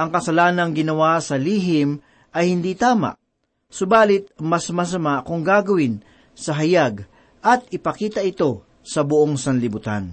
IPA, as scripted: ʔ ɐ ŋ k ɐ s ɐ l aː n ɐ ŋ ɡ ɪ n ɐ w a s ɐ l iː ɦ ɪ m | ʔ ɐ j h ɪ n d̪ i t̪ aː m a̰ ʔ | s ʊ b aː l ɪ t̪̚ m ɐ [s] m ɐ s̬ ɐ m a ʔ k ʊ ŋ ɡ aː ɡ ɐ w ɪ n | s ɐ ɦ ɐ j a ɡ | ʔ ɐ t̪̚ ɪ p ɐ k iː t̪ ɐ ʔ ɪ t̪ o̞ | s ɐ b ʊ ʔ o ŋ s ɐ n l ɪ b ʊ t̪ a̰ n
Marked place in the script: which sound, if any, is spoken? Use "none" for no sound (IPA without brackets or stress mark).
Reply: s